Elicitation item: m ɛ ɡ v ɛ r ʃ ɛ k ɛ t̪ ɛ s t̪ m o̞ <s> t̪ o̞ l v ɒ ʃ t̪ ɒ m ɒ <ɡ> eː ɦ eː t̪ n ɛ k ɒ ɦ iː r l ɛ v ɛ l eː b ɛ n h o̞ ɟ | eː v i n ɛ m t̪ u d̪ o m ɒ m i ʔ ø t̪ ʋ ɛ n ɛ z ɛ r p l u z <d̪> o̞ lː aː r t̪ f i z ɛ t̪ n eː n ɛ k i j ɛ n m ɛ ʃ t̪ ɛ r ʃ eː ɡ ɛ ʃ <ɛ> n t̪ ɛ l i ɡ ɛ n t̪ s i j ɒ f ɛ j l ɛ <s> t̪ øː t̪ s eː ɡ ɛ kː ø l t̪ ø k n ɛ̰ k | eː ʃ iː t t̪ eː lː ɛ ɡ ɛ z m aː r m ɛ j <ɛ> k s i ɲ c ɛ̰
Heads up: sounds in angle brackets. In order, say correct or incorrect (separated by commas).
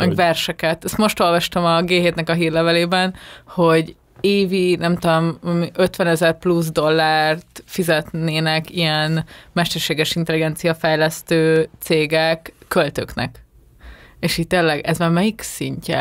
incorrect, correct, correct, incorrect, correct, incorrect